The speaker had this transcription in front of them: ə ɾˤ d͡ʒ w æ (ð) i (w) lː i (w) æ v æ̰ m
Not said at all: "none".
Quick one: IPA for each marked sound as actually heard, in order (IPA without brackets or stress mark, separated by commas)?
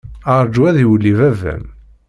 ð, w, v